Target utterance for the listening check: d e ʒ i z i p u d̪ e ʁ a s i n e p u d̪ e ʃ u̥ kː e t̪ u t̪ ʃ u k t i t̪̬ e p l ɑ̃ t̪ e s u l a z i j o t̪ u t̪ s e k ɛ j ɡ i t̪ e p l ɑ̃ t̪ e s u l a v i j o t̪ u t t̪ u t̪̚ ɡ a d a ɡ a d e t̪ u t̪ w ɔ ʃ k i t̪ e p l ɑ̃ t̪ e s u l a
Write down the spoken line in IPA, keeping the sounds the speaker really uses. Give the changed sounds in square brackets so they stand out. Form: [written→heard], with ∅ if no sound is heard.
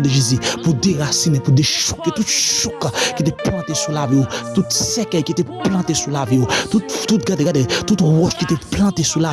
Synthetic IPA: d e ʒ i z i p u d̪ e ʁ a s i n e p u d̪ e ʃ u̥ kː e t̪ u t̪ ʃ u k [t→k] i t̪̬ e p l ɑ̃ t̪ e s u l a [z→v] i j o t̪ u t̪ s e k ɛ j [ɡ→k] i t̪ e p l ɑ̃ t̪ e s u l a v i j o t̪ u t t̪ u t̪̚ ɡ a d [a→e] ɡ a d e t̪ u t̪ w ɔ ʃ k i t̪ e p l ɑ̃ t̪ e s u l a